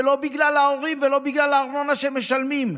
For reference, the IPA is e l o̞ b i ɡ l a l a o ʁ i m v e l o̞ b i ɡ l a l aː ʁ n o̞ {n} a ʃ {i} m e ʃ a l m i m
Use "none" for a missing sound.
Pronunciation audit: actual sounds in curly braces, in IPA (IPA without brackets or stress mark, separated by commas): n, e